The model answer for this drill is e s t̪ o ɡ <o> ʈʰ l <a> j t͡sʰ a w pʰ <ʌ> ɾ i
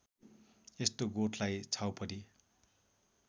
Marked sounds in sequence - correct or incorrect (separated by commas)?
correct, correct, correct